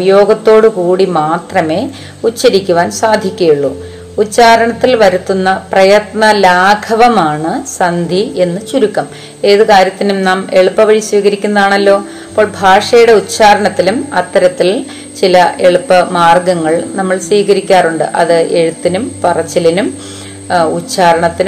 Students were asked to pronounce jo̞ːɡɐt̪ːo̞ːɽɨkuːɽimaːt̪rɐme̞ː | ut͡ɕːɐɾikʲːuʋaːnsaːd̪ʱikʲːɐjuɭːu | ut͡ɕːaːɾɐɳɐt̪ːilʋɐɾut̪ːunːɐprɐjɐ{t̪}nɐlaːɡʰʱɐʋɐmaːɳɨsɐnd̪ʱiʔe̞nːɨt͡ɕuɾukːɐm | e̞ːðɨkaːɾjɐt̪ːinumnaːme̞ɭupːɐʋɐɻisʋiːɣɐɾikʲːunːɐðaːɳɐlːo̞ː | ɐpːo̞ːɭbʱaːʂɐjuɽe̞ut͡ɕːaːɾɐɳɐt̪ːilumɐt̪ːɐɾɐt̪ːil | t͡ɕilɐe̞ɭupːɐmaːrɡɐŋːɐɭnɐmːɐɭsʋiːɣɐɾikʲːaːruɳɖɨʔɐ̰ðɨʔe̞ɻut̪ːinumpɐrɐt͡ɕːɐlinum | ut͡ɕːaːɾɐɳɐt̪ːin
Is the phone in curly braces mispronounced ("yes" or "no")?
no